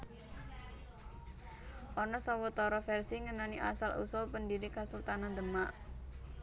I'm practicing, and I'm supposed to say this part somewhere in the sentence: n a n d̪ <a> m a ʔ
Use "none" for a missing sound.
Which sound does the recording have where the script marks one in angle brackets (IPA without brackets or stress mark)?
ə